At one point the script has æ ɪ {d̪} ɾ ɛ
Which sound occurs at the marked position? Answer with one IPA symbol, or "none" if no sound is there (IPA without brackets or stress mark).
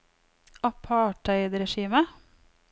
d̪